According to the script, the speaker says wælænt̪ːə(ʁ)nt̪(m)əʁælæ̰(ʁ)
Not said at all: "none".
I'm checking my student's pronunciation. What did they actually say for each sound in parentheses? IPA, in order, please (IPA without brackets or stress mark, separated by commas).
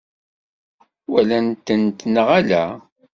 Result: none, n, none